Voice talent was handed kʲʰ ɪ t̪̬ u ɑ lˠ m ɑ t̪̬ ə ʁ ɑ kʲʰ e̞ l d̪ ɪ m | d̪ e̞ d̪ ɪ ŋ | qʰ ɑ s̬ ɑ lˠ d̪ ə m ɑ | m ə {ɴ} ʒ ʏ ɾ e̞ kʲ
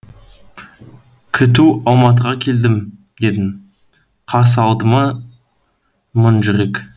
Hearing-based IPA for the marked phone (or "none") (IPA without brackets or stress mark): n